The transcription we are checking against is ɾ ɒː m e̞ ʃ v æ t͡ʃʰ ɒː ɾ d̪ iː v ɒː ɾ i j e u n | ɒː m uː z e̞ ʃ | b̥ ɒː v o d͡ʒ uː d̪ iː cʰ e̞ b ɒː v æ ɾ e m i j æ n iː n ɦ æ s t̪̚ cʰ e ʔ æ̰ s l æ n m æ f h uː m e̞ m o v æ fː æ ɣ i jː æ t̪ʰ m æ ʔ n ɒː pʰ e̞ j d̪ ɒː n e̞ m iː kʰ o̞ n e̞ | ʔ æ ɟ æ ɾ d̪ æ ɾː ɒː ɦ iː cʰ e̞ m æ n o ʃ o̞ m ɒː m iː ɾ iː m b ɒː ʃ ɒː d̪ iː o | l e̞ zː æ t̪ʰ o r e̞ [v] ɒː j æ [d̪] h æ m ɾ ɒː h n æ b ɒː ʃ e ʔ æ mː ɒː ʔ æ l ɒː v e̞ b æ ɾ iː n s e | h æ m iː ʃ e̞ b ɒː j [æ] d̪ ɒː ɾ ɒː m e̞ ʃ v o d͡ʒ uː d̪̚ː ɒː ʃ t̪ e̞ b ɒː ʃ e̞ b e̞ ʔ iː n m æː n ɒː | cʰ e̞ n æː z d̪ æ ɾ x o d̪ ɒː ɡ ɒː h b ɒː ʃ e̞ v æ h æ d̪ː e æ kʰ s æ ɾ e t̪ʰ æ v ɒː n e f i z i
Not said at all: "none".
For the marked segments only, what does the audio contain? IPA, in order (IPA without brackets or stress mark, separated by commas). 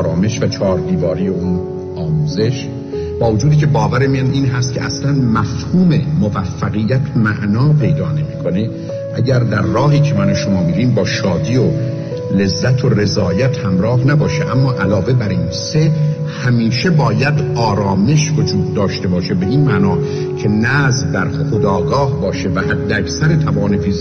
z, t̪, æ